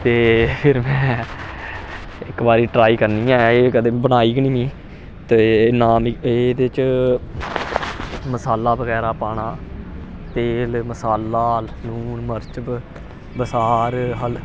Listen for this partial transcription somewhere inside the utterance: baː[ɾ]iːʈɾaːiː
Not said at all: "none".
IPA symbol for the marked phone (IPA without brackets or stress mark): ɾ